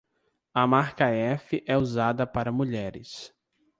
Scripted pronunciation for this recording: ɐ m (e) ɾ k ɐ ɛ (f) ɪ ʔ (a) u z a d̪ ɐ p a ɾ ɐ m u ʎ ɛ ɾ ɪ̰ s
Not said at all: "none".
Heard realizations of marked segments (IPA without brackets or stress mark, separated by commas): a, f, ɛ